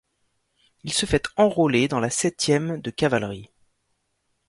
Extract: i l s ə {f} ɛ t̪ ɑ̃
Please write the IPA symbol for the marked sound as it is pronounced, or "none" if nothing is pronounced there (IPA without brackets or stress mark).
f